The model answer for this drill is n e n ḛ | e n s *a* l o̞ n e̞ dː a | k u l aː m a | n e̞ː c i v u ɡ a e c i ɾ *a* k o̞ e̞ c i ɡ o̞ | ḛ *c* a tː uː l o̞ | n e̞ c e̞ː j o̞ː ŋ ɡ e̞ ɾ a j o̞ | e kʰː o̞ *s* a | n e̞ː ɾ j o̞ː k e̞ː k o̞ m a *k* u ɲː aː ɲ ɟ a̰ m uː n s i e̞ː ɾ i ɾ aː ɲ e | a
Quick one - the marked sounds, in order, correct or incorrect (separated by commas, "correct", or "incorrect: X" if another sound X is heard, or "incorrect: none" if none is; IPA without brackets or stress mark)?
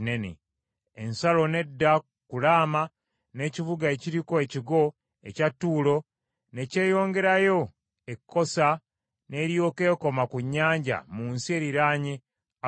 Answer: correct, incorrect: i, correct, correct, correct